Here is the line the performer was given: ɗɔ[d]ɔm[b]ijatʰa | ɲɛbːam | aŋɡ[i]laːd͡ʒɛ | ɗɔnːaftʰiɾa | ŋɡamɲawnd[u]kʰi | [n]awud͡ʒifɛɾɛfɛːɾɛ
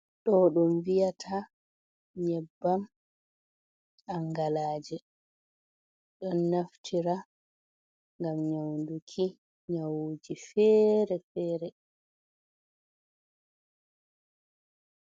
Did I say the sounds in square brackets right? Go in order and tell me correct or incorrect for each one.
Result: incorrect, incorrect, incorrect, correct, incorrect

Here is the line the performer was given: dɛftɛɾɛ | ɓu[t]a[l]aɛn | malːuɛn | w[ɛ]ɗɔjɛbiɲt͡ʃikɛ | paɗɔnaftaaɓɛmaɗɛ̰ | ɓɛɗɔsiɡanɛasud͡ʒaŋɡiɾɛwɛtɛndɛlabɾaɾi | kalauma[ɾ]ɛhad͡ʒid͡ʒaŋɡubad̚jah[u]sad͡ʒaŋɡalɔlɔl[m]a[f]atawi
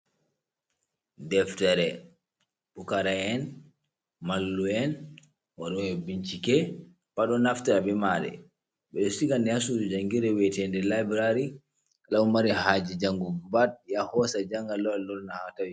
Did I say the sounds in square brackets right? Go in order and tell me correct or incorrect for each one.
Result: incorrect, incorrect, incorrect, correct, incorrect, incorrect, incorrect

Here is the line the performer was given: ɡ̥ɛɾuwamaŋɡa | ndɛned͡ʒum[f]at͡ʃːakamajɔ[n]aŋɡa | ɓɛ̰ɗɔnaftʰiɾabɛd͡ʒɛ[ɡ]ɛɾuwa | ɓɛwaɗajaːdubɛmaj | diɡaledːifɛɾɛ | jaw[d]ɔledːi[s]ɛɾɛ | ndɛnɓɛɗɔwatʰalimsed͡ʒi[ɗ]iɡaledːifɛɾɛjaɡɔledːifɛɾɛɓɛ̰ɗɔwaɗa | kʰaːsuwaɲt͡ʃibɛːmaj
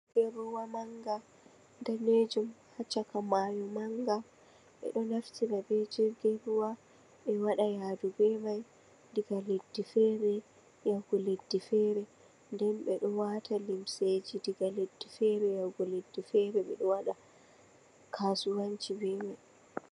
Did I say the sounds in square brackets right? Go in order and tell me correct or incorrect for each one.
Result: incorrect, incorrect, correct, incorrect, incorrect, incorrect

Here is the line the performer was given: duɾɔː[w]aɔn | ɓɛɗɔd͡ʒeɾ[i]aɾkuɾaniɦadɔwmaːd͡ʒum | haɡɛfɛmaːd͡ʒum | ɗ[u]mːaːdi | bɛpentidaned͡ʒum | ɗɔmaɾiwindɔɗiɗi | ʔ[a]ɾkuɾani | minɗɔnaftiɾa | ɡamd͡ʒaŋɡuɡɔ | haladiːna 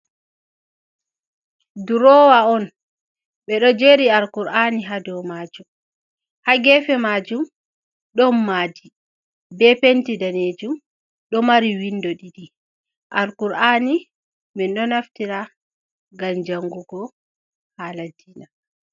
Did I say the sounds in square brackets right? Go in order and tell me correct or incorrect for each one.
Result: correct, correct, incorrect, correct

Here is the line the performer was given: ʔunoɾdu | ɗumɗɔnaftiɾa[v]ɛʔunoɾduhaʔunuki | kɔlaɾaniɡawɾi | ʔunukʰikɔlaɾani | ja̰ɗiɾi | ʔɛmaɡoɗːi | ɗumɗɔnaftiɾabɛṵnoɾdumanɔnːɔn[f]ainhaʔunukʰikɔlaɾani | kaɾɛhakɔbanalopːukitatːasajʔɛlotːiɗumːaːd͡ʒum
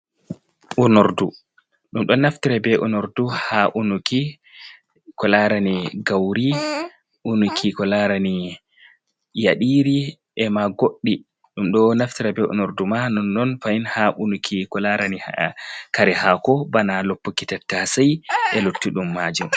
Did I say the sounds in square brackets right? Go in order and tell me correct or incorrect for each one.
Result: incorrect, correct

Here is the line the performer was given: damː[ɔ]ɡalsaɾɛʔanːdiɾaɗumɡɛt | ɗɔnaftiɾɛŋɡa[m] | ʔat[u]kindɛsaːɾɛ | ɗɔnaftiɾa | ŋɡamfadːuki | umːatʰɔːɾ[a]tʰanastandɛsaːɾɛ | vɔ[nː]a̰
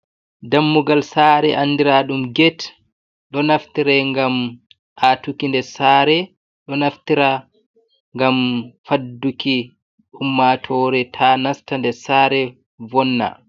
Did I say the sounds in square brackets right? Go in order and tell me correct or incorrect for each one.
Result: incorrect, correct, correct, incorrect, correct

